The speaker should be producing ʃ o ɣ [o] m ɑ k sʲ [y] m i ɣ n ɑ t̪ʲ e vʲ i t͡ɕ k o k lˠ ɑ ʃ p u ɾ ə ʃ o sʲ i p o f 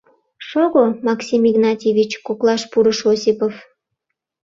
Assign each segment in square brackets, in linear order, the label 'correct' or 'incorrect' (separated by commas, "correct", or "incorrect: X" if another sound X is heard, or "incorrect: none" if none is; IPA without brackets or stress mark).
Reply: correct, incorrect: i